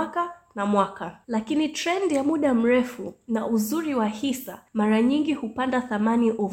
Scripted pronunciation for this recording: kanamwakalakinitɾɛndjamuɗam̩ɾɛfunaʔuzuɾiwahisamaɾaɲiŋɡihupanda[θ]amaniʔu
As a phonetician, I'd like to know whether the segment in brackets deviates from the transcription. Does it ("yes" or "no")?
no